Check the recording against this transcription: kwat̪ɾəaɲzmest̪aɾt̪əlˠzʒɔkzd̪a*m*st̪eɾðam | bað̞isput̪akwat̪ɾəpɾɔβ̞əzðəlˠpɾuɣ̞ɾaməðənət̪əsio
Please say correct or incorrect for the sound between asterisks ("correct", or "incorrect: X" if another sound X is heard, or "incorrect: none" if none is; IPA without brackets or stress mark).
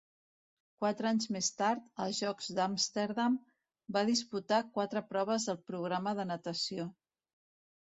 correct